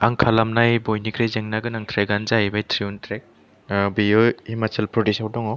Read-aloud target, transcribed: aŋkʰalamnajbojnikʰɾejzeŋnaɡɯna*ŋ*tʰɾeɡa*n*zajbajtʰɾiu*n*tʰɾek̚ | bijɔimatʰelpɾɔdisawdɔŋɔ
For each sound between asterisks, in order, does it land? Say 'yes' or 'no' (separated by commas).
yes, yes, yes